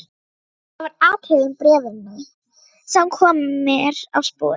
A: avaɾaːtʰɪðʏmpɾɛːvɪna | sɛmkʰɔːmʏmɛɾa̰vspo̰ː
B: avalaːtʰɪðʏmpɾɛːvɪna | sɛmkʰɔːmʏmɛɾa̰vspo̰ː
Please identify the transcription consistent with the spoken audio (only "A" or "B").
A